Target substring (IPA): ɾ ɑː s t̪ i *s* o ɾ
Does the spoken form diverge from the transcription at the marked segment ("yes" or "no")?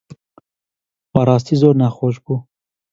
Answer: yes